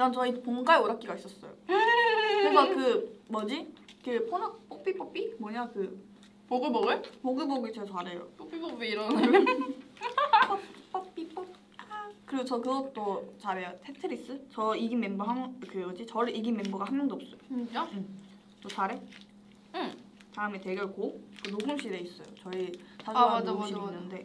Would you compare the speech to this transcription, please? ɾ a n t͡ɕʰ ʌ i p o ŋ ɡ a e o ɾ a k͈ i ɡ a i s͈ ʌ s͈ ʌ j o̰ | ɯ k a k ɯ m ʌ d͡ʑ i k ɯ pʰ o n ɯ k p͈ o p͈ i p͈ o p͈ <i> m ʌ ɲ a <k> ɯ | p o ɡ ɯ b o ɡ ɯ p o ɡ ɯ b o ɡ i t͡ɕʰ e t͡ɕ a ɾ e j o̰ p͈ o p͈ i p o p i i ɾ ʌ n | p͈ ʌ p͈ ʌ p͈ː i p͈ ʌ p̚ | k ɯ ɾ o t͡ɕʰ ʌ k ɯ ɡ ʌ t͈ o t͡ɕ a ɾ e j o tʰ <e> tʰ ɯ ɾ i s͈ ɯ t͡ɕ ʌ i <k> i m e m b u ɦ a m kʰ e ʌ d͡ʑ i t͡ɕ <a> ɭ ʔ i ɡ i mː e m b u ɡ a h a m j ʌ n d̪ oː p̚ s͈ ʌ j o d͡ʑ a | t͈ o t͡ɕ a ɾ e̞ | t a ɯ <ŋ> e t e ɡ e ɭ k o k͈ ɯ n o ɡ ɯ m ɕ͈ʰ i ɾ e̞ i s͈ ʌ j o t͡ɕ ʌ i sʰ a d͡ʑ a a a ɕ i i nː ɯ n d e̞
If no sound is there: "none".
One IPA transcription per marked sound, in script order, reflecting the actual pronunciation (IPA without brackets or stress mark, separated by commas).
i, k, e, ɡ, ʌ, m